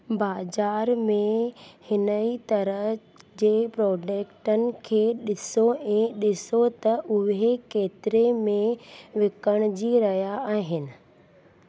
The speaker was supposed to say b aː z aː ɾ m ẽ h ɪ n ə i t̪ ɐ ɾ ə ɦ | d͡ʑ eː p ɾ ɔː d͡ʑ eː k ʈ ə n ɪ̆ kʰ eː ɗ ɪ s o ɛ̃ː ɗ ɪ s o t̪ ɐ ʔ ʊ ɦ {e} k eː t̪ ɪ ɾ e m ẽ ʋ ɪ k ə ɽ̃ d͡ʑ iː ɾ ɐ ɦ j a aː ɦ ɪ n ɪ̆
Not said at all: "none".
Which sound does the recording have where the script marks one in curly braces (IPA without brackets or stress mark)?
e